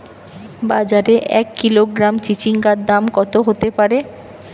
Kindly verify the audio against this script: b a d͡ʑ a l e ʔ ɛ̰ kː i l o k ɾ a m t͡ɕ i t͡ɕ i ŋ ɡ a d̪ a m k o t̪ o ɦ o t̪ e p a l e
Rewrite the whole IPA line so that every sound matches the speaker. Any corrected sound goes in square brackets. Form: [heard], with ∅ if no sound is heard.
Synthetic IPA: b a d͡ʑ a [ɾ] e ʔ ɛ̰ kː i l o [ɡ] ɾ a m t͡ɕ i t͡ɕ i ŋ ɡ a d̪ a m k [ɔ] t̪ o ɦ o t̪ e p a [ɾ] e

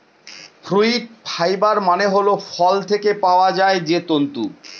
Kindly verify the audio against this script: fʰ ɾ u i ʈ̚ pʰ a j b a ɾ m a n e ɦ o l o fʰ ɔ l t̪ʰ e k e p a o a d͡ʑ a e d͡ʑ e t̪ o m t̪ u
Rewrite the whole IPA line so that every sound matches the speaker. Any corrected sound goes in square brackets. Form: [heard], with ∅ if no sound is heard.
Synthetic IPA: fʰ ɾ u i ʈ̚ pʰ a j b a ɾ m a n e ɦ o l o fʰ ɔ l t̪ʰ e k e p a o a d͡ʑ a e d͡ʑ e t̪ o [n] t̪ u

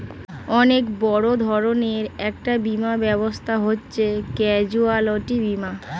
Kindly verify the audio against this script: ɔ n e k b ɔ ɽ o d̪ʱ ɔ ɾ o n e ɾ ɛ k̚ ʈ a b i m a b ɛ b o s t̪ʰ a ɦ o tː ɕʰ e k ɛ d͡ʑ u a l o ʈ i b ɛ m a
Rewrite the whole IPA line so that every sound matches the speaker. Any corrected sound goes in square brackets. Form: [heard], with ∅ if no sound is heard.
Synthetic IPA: ɔ n e k b ɔ ɽ o d̪ʱ ɔ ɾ o n e ɾ ɛ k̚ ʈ a b i m a b ɛ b o s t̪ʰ a ɦ o tː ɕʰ e k ɛ d͡ʑ u a l o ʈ i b [i] m a

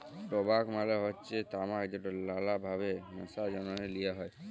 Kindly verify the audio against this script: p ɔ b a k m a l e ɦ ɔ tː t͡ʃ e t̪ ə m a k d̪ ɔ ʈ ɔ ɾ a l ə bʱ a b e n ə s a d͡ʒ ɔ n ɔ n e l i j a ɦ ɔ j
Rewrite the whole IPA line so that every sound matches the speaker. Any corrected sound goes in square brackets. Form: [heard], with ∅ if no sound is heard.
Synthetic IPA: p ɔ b a k m a l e ɦ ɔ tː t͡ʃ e t̪ [a] m a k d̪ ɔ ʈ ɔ [l] a l [a] bʱ a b e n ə s a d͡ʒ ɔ n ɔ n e l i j a ɦ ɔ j

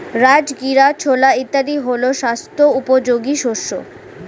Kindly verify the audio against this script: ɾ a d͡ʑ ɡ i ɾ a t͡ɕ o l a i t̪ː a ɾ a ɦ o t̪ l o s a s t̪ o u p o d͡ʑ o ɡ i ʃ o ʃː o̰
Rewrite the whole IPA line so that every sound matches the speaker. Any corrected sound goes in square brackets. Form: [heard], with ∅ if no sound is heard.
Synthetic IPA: ɾ a d͡ʑ ɡ i ɾ a [t͡ɕʰ] o l a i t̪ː a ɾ [i] ɦ o [∅] l o [ʃ] a s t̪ o u p o d͡ʑ o ɡ i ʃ o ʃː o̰

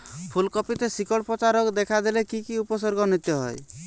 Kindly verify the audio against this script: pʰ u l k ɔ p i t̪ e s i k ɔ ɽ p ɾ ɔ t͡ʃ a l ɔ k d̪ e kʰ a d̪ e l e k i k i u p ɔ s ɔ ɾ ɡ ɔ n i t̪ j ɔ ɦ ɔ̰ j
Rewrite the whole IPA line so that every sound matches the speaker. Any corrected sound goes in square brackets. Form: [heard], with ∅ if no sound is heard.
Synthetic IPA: pʰ u l k ɔ p i t̪ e s i k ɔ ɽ p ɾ ɔ t͡ʃ a [ɾ] ɔ k d̪ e kʰ a d̪ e l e k i k i u p ɔ s ɔ ɾ ɡ ɔ n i t̪ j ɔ ɦ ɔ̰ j

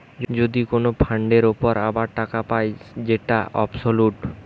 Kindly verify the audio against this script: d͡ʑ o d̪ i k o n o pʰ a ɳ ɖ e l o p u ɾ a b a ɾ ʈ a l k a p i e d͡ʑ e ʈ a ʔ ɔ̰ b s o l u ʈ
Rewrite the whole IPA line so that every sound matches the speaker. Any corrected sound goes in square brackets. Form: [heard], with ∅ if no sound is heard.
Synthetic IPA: d͡ʑ o d̪ i k o n o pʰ a ɳ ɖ e [ɾ] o p [o] ɾ a b a ɾ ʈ a [∅] k a p [a] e d͡ʑ e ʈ a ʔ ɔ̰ b s o l u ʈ

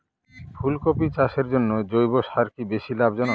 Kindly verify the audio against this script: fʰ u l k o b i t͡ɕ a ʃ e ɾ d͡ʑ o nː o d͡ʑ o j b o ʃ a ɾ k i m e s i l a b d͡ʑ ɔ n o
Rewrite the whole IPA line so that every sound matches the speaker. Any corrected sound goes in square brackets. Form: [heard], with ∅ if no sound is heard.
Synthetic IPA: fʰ u l k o [p] i t͡ɕ a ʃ e ɾ d͡ʑ o nː o d͡ʑ o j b o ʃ a ɾ k i [b] e [ʃ] i l a b d͡ʑ ɔ n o

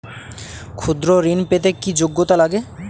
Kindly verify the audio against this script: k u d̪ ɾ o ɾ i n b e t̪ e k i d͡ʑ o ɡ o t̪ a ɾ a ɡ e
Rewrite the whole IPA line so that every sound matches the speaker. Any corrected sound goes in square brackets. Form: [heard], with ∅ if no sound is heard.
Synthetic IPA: [kʰ] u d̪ ɾ o ɾ i n [p] e t̪ e k i d͡ʑ o [ɡː] o t̪ a [l] a ɡ e

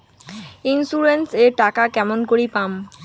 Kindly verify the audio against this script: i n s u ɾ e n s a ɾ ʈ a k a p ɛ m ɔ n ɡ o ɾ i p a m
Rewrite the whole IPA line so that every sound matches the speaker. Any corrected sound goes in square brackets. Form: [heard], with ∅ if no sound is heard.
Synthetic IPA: i n s u ɾ e n s [e] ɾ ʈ a k a [k] ɛ m [o] n [k] o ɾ i p a m

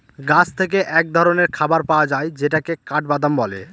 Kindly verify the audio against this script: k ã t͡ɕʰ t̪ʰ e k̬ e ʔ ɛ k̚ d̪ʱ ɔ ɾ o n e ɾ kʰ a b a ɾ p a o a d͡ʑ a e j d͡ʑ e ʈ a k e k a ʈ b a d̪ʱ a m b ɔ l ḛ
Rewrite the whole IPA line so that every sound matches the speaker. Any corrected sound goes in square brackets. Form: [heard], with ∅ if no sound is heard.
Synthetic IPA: [ɡ] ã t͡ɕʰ t̪ʰ e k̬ e ʔ ɛ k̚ d̪ʱ ɔ ɾ o n e ɾ kʰ a b a ɾ p a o a d͡ʑ a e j d͡ʑ e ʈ a k e k a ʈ b a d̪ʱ a m b ɔ l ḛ

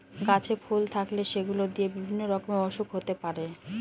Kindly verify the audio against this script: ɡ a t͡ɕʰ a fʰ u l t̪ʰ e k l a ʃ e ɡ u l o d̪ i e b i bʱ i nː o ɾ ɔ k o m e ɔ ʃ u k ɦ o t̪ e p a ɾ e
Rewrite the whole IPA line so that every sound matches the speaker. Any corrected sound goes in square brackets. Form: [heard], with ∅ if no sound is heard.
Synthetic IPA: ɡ a t͡ɕʰ [e] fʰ u l t̪ʰ [a] k l [e] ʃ e ɡ u l o d̪ i e b i bʱ i nː o ɾ ɔ k o m e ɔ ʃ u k ɦ o t̪ e p a ɾ e

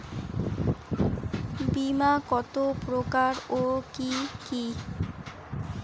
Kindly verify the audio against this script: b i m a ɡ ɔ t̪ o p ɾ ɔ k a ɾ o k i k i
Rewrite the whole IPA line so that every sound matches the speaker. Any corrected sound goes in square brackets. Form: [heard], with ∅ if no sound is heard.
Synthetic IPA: b i m a [k] ɔ t̪ o p ɾ [o] k a ɾ o k i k i

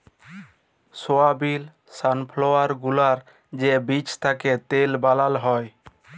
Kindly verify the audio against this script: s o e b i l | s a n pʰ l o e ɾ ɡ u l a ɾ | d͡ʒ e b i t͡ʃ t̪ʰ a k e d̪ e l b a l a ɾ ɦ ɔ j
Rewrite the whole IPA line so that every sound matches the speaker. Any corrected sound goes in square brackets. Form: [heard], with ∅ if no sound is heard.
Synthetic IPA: s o [a] b i l | s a n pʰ l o [a] ɾ ɡ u l a ɾ | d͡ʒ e b i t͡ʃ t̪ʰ a k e [t̪] e l b a l a [l] ɦ ɔ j

